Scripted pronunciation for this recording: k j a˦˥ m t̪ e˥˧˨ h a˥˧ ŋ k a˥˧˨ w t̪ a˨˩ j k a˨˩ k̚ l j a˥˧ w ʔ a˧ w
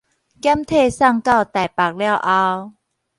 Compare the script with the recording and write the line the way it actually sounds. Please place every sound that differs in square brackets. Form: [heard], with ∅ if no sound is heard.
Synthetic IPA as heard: k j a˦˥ m [t̪ʰ] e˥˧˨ [s] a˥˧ ŋ k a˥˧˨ w t̪ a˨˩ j [p] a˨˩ k̚ l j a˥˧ w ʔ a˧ w